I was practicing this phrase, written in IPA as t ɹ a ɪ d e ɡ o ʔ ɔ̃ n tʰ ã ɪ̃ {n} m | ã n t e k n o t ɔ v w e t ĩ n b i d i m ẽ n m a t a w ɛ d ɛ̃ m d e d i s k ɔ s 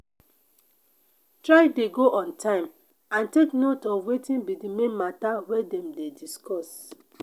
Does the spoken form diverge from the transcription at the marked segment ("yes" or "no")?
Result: yes